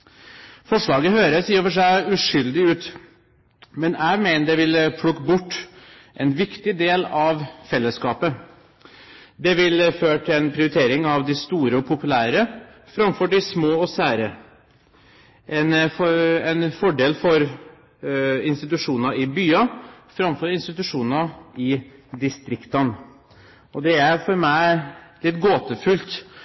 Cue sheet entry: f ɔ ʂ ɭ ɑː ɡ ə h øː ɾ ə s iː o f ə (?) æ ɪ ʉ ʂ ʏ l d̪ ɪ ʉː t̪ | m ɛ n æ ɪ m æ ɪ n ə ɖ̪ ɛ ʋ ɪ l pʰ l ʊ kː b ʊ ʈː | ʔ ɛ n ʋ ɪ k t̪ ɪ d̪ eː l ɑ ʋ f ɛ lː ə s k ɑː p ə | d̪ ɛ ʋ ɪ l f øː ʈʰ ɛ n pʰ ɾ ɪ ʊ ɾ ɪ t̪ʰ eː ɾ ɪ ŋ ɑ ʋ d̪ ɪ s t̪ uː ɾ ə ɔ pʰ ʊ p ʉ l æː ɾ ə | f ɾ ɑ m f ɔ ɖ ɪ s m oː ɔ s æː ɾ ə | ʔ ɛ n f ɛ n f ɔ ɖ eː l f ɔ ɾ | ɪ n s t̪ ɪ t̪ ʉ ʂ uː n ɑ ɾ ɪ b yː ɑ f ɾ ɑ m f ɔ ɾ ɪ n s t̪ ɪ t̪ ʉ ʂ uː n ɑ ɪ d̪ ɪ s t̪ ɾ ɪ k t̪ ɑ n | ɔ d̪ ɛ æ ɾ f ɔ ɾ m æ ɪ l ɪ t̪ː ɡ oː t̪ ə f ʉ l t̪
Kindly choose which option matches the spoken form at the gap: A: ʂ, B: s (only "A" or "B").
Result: A